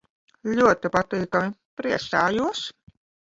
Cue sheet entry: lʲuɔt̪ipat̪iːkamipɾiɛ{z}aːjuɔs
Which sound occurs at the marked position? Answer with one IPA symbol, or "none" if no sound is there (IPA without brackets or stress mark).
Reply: s